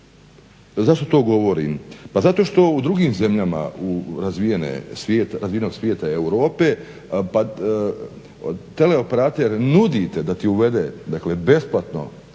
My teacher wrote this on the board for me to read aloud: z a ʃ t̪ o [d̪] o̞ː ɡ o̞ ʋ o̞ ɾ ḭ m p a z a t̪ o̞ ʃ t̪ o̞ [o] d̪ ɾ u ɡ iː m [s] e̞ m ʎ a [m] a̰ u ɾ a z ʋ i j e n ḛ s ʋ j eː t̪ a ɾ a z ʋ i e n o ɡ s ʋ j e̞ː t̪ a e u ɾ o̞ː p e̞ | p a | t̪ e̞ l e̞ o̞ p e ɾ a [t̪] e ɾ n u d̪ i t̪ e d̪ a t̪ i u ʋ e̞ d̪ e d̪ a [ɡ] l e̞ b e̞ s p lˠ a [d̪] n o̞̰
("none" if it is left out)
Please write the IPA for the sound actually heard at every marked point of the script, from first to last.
t̪, u, z, m, t̪, k, t̪

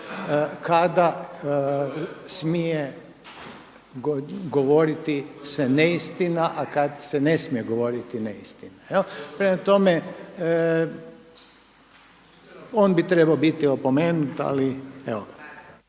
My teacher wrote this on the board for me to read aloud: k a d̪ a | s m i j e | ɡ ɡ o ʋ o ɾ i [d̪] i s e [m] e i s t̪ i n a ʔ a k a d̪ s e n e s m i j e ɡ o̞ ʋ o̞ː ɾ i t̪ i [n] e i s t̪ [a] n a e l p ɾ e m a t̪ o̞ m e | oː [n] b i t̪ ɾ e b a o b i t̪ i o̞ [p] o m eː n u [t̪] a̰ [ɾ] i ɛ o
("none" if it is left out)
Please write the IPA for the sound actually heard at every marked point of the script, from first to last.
t̪, n, n, i, n, p, t̪, l

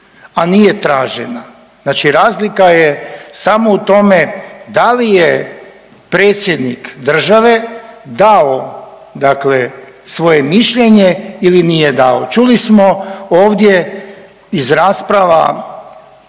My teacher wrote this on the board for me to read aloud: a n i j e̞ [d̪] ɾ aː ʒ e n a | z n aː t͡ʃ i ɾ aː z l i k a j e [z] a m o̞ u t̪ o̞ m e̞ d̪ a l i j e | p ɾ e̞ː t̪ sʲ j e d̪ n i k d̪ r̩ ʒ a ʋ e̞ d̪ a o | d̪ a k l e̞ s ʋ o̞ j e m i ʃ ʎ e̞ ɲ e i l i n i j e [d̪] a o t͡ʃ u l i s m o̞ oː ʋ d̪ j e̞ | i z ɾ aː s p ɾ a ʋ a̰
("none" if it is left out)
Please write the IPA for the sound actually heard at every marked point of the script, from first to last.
t̪, s, d̪

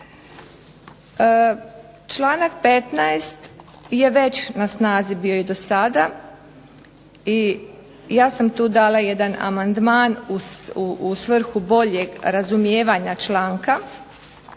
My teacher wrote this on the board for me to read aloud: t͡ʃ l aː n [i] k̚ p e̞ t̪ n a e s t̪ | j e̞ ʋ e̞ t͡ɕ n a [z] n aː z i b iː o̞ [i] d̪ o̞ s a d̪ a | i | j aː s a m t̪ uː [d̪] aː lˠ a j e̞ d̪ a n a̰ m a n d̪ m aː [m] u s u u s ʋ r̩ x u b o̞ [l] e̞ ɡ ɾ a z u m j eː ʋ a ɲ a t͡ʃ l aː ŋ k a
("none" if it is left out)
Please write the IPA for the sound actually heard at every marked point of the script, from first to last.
a, s, i, d̪, n, ʎ

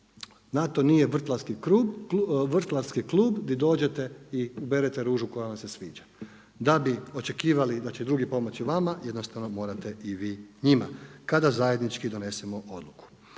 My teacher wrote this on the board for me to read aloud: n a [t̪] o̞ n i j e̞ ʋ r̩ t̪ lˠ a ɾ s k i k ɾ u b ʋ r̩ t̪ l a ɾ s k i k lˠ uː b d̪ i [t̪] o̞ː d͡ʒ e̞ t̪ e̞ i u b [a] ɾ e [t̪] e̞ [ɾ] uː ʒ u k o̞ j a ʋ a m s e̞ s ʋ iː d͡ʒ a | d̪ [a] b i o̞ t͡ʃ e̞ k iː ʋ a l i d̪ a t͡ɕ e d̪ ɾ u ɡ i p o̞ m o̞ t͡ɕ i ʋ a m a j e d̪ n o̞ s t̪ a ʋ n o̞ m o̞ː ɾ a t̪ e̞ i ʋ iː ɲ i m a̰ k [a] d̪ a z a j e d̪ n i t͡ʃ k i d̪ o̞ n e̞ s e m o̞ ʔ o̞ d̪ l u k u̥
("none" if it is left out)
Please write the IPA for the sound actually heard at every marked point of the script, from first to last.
t̪, d̪, e, t̪, ɾ, a, a

